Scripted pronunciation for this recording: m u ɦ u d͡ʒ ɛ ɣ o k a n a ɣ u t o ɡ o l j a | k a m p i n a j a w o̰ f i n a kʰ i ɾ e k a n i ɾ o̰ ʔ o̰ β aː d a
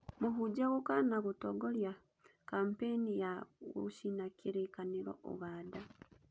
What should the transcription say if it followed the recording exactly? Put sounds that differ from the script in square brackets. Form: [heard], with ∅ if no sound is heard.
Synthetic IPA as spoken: m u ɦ u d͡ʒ [a] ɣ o k a n a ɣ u t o ɡ o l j a | k a m p [e] n [i] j a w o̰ [ʃ] i n a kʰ i ɾ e k a n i ɾ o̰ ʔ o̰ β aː d a